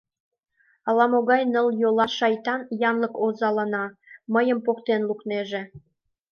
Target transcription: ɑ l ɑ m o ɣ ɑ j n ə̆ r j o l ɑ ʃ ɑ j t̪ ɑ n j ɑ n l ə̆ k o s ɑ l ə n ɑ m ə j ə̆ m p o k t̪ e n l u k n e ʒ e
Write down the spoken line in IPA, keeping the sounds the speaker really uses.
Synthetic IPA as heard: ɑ l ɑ m o ɣ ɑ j n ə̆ l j o l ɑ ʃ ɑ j t̪ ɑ n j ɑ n l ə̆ k o z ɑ l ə n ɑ m ə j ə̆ m p o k t̪ e n l u k n e ʒ e